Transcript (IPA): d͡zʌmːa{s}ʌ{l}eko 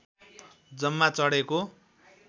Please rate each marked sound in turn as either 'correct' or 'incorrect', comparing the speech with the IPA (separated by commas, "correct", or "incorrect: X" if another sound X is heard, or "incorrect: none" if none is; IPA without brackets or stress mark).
incorrect: t͡s, incorrect: ɽ